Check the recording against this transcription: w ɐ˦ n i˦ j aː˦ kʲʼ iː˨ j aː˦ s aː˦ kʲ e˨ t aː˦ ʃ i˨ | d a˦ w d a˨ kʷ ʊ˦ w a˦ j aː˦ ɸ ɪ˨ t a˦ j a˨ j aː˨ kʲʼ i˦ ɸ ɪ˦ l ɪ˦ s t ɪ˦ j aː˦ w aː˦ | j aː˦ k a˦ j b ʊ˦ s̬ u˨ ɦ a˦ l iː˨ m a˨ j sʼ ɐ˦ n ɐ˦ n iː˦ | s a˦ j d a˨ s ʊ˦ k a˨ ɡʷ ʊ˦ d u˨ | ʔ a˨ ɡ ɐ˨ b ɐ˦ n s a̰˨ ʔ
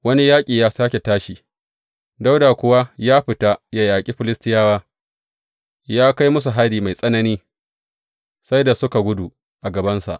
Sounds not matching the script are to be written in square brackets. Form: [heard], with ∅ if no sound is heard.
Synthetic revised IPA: w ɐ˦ n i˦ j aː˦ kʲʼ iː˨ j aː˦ s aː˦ kʲ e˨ t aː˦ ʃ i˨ | d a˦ w d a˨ kʷ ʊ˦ w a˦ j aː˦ ɸ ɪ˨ t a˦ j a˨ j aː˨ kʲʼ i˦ ɸ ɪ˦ l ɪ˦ s t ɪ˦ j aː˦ w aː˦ | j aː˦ k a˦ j [m] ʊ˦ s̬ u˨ ɦ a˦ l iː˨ m a˨ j sʼ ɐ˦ n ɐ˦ n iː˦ | s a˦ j d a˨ s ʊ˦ k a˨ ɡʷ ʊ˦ d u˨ | ʔ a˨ ɡ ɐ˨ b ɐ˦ n s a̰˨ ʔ

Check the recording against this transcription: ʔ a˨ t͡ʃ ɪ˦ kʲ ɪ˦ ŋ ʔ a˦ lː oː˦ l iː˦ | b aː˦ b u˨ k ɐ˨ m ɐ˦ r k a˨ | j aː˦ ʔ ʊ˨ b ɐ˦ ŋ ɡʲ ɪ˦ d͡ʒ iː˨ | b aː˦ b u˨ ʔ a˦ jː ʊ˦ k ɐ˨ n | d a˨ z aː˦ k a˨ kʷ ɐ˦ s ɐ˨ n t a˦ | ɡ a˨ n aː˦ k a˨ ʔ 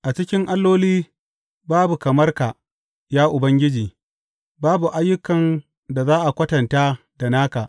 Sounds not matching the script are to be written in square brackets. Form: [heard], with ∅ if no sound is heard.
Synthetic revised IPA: ʔ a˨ t͡ʃ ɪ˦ kʲ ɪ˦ ŋ ʔ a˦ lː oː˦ l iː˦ | b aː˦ b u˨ k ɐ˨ m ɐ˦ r k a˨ | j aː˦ ʔ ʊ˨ b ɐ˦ ŋ ɡʲ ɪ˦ d͡ʒ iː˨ | b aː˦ b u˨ ʔ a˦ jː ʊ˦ k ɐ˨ n | d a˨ z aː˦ [ʔ] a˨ kʷ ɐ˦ [t] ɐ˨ n t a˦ | [d] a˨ n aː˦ k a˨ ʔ

